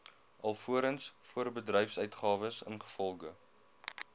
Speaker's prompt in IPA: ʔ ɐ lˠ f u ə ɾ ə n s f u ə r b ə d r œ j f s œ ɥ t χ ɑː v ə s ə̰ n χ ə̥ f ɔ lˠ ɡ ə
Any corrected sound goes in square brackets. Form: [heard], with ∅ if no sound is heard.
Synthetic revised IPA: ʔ ɐ lˠ f u ə ɾ ə n s f u ə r b ə d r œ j f s œ ɥ t χ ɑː v ə s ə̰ n χ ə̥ f ɔ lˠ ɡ ə

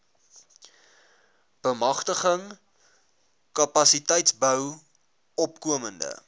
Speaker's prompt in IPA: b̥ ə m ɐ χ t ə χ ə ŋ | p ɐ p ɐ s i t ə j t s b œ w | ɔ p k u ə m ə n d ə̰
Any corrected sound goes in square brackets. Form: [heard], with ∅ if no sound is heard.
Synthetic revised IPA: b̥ ə m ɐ χ t ə χ ə ŋ | [k] ɐ p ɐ s i t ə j t s b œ w | ɔ p k u ə m ə n d ə̰

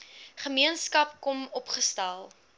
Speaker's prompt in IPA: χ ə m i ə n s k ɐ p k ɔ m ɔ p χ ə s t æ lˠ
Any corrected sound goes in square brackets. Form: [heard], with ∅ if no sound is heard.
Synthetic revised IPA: χ ə m i ə n s k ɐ p k ɔ m ɔ p χ ə s t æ lˠ

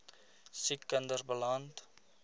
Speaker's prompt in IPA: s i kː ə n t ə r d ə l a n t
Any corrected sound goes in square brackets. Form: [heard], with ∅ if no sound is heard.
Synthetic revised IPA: s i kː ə n [d] ə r [b] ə l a n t

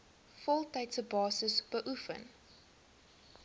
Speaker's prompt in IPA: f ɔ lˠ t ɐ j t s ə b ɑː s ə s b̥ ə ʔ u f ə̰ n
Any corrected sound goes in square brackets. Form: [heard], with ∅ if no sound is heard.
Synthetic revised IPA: f ɔ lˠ t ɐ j t s ə b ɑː s ə s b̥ ə ʔ u f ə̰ n

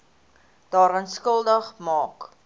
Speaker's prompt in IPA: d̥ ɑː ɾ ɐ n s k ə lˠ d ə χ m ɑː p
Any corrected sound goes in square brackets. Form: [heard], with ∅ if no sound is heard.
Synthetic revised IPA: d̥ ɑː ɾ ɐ n s k ə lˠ d ə χ m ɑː [k]

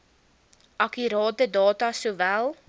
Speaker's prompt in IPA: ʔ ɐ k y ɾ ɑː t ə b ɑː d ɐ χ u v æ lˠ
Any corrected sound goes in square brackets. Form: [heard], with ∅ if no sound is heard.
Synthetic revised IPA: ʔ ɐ k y ɾ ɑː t ə [d] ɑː [t] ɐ [s] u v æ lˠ

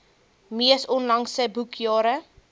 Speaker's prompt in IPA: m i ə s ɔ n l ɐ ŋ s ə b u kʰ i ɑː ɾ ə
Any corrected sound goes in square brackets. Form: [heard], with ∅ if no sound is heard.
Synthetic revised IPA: m i ə s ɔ n l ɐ ŋ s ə b u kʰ [j] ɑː ɾ ə

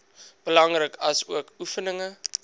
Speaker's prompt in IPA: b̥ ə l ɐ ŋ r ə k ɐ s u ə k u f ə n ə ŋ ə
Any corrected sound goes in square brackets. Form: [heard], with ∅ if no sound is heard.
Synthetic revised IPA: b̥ ə l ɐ ŋ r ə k ɐ s u ə k u f ə n ə ŋ ə

